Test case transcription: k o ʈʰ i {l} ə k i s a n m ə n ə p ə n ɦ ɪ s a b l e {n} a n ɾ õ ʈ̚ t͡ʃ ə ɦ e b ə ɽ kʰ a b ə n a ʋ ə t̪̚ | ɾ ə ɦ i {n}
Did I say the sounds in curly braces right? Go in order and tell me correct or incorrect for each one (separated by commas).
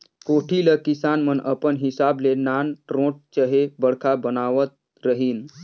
correct, correct, correct